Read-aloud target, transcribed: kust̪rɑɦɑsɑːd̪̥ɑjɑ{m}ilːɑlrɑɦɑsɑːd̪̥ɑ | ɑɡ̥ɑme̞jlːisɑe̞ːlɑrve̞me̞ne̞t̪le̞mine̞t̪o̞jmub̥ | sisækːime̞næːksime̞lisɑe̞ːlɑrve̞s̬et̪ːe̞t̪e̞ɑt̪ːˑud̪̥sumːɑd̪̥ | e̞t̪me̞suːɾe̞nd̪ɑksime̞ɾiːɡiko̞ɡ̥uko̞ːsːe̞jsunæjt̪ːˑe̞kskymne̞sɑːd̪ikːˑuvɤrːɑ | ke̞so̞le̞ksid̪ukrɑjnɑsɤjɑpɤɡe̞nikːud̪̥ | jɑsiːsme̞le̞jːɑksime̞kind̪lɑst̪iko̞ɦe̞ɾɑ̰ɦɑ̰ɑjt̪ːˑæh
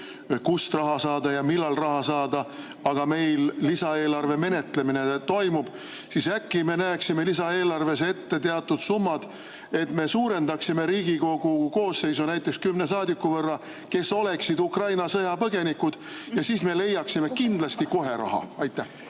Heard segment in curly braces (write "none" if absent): m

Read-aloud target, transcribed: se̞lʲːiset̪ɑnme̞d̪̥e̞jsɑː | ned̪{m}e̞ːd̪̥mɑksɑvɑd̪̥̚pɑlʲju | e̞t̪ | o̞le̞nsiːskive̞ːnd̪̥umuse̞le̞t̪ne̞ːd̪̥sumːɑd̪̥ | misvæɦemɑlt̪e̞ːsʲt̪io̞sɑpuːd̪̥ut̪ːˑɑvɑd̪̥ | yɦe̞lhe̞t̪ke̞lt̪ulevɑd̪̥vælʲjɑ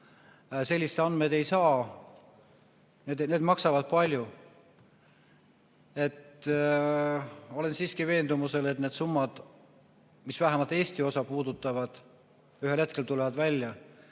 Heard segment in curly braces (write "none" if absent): n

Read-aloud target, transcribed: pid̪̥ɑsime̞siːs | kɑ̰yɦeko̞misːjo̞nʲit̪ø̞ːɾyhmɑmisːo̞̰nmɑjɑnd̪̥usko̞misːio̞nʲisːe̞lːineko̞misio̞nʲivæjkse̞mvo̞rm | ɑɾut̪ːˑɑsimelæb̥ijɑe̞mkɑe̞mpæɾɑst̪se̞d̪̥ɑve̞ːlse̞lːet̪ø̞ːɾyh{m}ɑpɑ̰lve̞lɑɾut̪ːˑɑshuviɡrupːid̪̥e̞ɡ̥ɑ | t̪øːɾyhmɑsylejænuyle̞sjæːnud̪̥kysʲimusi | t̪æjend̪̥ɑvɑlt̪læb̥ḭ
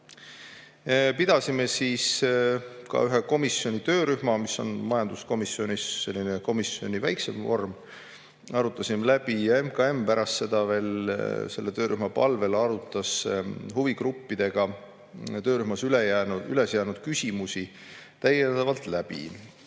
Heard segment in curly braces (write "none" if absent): m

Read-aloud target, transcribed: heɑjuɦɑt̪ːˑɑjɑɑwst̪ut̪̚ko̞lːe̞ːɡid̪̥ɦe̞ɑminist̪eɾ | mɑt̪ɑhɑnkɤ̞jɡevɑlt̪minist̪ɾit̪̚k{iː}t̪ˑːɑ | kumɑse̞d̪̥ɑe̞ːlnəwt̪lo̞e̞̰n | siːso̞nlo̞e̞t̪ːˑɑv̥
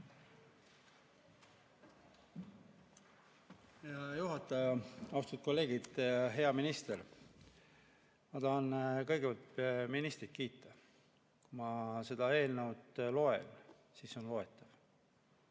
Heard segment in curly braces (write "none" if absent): iː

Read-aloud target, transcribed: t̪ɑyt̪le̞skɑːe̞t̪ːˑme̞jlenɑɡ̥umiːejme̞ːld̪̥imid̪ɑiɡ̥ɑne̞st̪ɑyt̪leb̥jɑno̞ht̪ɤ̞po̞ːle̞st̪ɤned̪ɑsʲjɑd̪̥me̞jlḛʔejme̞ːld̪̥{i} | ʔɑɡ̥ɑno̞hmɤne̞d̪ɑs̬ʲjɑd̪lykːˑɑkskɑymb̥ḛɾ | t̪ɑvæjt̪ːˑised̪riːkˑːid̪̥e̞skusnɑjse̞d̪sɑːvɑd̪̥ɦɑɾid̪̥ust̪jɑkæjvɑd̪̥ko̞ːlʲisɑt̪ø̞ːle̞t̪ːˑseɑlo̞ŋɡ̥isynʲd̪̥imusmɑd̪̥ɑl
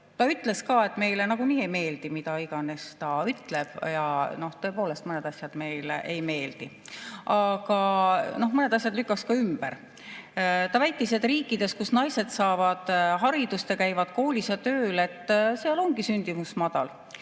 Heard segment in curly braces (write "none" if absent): i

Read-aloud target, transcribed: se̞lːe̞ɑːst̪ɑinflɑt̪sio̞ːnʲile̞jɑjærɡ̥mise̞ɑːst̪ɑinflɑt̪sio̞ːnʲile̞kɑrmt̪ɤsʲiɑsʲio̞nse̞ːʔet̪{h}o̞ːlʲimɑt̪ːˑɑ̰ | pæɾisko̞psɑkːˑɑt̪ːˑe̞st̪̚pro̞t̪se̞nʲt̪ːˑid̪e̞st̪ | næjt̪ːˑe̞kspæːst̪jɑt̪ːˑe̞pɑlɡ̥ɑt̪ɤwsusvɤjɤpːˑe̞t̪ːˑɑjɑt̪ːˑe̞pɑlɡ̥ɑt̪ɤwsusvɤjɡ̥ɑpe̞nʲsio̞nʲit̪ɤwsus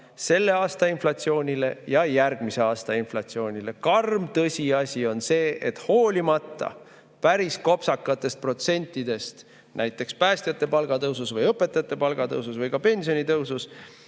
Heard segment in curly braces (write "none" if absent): h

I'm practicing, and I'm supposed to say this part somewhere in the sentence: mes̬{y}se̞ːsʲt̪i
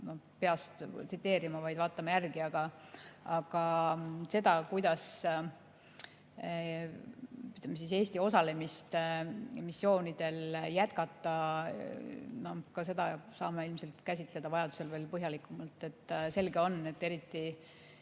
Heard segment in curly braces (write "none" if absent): i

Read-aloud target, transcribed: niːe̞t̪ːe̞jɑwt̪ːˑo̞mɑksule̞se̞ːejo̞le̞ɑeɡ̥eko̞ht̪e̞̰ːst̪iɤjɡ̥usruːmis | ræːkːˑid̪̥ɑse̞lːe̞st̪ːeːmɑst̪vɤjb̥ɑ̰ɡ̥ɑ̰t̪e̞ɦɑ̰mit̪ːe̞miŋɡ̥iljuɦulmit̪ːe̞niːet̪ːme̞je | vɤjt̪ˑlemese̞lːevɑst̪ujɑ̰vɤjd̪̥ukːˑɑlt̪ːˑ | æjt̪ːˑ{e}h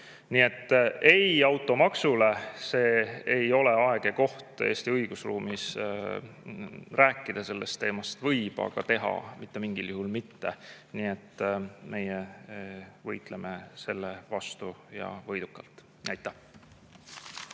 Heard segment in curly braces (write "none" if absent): æ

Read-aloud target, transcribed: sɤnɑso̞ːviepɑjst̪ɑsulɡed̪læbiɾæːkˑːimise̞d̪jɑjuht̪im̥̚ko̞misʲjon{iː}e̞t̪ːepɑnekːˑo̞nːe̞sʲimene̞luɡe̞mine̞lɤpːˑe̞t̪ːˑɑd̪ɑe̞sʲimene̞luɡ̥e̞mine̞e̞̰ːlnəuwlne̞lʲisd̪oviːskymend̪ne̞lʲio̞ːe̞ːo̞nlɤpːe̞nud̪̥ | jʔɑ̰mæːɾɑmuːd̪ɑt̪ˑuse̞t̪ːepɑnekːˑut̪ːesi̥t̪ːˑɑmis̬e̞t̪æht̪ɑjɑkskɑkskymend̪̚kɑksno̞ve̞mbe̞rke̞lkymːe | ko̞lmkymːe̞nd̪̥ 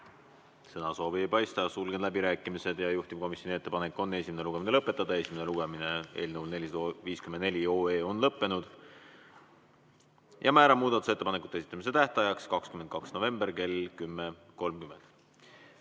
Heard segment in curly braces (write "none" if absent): i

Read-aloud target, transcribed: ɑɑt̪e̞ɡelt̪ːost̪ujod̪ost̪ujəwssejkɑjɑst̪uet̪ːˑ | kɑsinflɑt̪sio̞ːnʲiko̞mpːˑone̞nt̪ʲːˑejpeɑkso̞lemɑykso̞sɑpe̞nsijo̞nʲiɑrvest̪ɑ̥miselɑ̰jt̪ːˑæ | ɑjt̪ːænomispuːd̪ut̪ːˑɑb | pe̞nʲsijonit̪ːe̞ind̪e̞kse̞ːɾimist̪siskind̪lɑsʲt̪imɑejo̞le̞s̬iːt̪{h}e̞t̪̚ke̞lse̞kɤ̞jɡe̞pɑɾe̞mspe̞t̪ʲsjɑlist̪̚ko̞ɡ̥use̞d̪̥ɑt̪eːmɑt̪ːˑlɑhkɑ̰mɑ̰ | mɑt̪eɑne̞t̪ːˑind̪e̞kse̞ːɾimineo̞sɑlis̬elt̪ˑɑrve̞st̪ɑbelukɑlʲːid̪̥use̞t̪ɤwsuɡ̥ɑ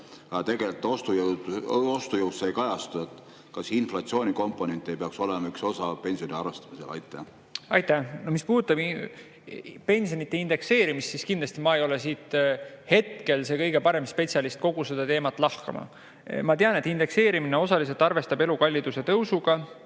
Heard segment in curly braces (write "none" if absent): h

